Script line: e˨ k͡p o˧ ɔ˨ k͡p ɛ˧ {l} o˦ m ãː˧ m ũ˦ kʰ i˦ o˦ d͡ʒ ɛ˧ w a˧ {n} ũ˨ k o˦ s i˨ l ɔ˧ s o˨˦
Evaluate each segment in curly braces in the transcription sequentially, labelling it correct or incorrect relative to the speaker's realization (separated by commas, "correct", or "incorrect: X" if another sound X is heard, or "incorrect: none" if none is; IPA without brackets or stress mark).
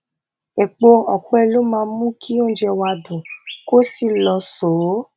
correct, incorrect: d